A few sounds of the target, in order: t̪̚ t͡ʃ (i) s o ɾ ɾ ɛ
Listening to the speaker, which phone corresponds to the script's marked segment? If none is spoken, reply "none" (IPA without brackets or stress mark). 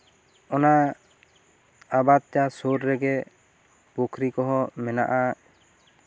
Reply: a